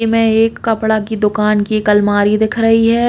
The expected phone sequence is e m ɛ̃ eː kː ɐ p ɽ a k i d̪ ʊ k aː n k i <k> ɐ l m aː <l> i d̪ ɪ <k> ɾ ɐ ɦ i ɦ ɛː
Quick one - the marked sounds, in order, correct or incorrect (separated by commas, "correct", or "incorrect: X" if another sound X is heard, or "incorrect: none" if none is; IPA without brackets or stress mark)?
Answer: correct, incorrect: ɾ, incorrect: kʰ